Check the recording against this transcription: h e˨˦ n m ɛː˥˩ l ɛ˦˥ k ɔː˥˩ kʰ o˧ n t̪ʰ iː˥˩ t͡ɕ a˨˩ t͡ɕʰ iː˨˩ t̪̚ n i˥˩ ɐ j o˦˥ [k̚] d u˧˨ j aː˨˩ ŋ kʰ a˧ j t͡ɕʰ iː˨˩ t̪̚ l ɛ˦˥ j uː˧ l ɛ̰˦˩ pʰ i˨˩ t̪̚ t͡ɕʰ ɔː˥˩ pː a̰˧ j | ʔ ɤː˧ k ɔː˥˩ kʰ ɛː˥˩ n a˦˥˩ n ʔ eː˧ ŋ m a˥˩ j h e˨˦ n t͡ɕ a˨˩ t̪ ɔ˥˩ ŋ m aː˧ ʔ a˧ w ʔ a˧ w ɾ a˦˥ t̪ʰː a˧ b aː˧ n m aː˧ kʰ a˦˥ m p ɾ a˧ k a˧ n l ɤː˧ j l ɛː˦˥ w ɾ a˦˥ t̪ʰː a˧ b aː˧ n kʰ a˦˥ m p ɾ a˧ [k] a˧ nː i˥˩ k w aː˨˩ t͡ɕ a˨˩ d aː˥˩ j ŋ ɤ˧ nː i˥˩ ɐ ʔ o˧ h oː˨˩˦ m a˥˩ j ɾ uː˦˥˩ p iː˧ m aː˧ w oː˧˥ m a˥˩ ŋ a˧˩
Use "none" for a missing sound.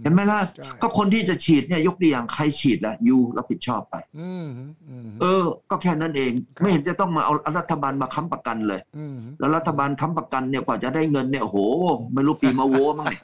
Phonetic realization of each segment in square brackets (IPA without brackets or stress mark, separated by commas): k̚, k